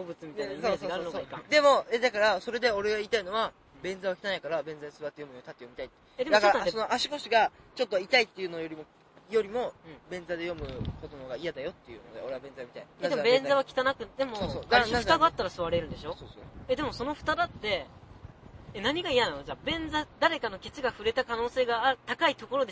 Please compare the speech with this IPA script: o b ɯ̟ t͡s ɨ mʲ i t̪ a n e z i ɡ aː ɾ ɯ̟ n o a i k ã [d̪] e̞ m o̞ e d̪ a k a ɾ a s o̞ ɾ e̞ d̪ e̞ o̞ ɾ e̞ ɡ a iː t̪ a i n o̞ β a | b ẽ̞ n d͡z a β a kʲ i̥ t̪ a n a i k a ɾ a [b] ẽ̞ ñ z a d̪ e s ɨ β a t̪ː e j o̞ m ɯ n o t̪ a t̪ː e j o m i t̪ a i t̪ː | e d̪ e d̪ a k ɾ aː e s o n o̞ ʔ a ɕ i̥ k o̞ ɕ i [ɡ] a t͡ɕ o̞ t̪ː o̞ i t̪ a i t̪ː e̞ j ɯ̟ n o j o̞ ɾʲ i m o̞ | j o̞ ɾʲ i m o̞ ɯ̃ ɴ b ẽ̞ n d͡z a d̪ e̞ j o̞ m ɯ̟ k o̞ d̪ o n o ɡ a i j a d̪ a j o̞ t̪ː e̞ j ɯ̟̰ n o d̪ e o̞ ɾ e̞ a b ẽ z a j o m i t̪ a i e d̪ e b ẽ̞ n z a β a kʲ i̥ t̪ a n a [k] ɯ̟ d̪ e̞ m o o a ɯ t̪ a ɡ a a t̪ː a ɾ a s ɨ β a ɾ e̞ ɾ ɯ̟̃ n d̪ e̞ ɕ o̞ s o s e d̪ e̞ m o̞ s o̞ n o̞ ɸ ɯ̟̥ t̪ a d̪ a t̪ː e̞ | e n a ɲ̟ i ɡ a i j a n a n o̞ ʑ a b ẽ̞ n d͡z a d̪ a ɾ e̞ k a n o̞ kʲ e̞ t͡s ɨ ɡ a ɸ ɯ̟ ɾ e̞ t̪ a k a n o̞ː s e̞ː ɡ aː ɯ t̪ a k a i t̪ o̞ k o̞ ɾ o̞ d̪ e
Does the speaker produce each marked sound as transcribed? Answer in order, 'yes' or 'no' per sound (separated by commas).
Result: yes, yes, yes, yes